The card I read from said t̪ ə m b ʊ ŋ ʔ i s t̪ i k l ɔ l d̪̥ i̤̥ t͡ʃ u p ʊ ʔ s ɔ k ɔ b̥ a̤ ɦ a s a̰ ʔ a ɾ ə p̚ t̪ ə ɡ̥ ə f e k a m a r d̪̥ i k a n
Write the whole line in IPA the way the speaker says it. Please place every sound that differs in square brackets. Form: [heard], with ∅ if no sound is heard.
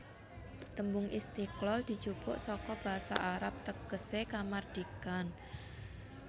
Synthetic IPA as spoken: t̪ ə m b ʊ ŋ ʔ i s t̪ i k l ɔ l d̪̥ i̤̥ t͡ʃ u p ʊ ʔ s ɔ k ɔ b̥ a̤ ɦ a s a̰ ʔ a ɾ [a] p̚ t̪ ə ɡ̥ ə [s] e k a m a r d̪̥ i k a n